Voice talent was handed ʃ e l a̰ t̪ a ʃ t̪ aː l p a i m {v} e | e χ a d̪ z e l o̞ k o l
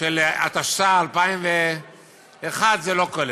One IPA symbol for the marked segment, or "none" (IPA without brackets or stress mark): v